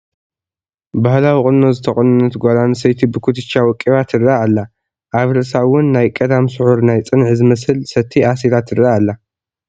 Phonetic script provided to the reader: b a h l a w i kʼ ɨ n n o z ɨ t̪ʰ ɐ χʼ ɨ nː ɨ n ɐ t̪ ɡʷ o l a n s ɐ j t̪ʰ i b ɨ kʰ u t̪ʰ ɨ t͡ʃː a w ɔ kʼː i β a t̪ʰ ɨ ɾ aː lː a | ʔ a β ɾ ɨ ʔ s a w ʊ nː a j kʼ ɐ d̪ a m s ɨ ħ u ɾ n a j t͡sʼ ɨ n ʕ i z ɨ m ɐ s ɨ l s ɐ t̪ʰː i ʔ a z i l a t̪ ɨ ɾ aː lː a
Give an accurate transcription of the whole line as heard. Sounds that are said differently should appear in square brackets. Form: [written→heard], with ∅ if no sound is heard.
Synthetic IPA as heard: b a h l a w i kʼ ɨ n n o z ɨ t̪ʰ ɐ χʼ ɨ [nː→n] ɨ n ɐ t̪ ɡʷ o l a n s ɐ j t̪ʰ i b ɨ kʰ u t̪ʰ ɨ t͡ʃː a w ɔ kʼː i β a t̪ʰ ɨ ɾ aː lː a | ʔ a β ɾ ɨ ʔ s a w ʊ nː a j kʼ ɐ d̪ a m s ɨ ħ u ɾ n a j t͡sʼ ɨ n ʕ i z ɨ m ɐ s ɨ l s ɐ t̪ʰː i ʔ a [z→s] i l a t̪ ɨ ɾ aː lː a